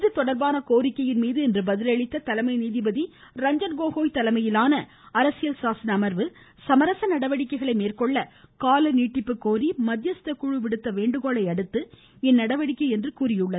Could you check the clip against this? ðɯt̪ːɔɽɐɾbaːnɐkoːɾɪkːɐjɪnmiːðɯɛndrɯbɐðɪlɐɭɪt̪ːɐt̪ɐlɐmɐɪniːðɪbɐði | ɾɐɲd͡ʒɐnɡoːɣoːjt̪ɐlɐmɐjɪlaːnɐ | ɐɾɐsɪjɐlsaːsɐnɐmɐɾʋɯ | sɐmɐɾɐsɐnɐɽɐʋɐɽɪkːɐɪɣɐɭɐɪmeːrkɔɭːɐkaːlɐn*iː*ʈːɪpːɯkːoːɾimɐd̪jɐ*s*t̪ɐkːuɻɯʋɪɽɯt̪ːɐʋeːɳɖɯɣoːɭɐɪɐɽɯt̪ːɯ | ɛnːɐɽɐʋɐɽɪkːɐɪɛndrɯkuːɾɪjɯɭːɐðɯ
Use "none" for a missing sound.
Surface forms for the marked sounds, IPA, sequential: iː, s

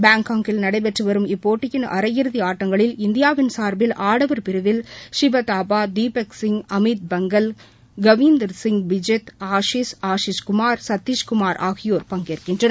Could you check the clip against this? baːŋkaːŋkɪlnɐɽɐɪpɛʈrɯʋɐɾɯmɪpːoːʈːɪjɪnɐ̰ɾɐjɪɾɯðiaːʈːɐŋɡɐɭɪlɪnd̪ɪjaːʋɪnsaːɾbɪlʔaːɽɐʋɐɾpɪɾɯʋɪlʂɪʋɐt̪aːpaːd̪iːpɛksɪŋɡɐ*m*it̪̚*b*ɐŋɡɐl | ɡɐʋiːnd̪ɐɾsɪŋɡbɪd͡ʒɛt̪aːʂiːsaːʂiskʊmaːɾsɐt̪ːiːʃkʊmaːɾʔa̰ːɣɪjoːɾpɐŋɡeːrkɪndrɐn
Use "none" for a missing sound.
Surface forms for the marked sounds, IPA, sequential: m, b

